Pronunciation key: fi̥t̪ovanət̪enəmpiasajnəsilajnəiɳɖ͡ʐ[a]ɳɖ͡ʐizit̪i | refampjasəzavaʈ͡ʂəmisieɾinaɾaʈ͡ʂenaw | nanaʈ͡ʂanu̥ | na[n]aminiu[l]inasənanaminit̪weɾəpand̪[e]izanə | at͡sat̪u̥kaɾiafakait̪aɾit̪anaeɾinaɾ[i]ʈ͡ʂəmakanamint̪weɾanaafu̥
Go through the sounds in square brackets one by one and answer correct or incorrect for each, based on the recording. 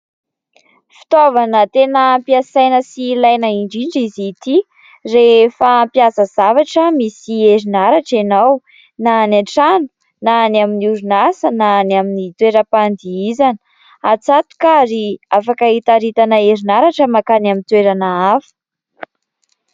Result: incorrect: i, correct, incorrect: ɾ, incorrect: i, incorrect: a

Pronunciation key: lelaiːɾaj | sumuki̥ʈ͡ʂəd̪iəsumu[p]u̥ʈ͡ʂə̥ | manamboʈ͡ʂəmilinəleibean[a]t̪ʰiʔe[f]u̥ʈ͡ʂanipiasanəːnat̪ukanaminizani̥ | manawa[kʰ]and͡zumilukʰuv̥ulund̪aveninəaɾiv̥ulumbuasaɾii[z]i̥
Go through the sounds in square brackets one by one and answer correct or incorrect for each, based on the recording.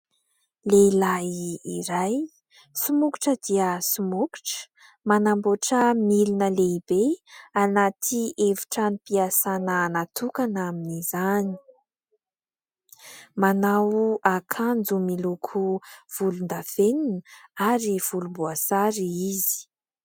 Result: incorrect: k, correct, incorrect: v, correct, correct

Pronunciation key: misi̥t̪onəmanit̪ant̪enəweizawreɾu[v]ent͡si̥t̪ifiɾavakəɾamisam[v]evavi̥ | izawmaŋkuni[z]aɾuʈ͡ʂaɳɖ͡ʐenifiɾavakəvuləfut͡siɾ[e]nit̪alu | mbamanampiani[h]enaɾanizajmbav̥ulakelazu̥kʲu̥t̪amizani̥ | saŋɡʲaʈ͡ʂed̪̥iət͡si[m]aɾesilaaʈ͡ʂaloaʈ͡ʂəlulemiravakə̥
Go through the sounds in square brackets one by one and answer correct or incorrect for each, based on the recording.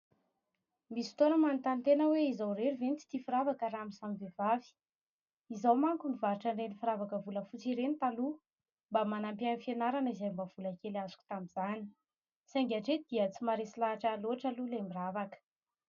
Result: correct, correct, incorrect: v, correct, incorrect: f, correct

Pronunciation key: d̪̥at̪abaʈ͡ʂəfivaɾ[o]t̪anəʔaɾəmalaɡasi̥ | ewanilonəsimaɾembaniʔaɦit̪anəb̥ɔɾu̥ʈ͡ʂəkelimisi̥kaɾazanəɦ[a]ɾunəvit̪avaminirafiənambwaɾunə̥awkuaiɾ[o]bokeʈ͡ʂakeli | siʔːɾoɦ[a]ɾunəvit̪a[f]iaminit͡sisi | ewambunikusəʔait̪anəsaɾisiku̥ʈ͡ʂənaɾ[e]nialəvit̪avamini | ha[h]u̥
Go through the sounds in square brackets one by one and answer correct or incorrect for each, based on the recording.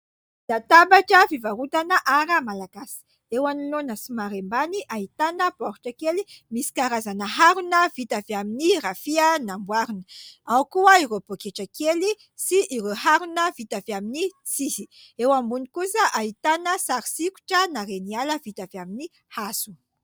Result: incorrect: u, correct, correct, correct, incorrect: v, correct, incorrect: s

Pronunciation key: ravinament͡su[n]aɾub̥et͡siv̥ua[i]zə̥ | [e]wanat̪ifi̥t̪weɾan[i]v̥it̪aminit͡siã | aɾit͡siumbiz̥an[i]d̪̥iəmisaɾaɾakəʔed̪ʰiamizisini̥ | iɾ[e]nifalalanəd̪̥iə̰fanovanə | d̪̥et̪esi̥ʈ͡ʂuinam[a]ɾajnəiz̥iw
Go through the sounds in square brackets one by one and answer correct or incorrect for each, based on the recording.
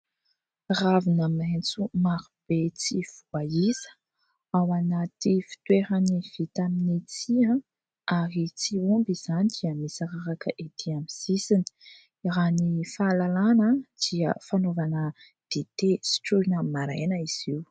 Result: incorrect: m, correct, incorrect: a, correct, correct, incorrect: a, correct

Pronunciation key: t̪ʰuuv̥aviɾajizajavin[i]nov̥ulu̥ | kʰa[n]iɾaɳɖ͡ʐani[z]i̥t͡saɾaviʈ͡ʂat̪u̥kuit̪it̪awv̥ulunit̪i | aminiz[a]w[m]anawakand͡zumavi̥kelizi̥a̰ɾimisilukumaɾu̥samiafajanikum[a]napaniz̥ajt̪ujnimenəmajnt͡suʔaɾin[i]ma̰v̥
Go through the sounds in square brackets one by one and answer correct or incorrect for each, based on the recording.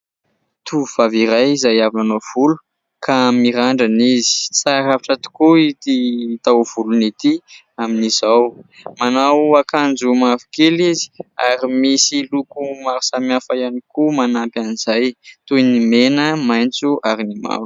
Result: incorrect: a, incorrect: m, correct, correct, correct, correct, correct

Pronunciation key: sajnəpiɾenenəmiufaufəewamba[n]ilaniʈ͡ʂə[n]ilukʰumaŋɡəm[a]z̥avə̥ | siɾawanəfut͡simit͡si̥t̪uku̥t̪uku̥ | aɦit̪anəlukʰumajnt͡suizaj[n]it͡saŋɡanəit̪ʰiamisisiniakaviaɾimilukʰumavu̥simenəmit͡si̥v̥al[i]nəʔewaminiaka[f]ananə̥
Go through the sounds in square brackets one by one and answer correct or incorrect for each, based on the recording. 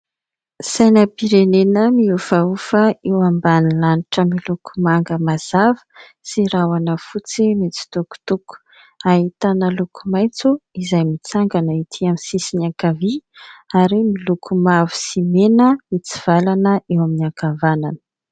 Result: correct, incorrect: m, correct, incorrect: m, incorrect: a, incorrect: v

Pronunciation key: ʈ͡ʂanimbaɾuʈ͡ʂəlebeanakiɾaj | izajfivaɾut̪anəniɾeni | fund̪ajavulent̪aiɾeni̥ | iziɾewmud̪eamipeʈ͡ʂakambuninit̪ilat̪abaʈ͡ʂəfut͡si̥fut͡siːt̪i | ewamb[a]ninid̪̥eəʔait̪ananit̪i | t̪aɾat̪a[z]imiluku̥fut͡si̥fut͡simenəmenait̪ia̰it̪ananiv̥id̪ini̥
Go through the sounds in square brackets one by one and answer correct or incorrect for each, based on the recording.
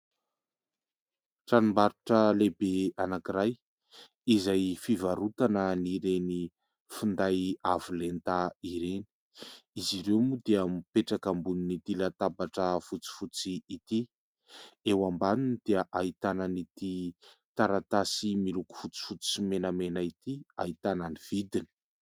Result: correct, incorrect: s

